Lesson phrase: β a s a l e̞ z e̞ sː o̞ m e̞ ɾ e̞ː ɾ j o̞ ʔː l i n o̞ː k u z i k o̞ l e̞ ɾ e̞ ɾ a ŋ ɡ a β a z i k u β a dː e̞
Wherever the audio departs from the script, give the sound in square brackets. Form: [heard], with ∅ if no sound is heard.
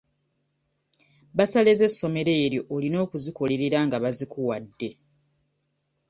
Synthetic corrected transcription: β a s a l e̞ z e̞ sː o̞ m e̞ ɾ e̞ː ɾ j o̞ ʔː l i n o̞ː k u z i k o̞ l e̞ ɾ e̞ ɾ a ŋ ɡ a β a z i k u [w] a dː e̞